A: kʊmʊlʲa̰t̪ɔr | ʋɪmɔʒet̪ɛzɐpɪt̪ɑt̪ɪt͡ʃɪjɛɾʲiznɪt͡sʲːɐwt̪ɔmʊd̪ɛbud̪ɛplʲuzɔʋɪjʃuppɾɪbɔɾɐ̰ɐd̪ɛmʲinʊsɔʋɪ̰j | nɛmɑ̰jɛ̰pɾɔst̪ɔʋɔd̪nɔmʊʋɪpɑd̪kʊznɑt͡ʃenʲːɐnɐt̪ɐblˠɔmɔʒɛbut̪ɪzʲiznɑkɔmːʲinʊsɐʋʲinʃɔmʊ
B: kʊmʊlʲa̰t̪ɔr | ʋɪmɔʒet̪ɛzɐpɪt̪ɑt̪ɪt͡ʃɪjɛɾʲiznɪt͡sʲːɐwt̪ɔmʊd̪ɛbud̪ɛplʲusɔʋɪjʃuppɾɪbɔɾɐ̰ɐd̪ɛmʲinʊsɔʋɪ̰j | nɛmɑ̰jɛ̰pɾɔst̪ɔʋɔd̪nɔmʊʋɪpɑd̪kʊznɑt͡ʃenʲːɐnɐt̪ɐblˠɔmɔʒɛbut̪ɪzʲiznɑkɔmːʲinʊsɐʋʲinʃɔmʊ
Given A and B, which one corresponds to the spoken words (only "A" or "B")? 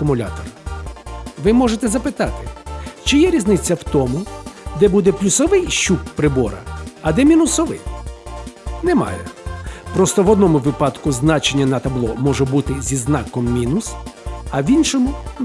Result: B